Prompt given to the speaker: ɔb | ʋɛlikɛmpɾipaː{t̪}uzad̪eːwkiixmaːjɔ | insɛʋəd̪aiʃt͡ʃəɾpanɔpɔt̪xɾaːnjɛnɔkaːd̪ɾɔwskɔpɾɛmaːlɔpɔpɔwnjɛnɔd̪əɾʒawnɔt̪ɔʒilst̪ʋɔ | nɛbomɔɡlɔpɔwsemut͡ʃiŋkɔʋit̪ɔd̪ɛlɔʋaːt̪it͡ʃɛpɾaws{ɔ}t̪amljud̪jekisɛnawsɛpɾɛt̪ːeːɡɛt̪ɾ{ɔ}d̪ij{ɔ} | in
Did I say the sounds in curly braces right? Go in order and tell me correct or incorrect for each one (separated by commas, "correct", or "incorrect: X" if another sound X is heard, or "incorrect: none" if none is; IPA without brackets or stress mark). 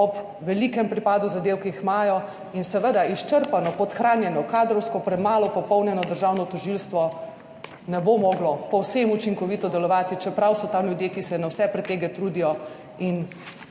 incorrect: d̪, correct, incorrect: u, correct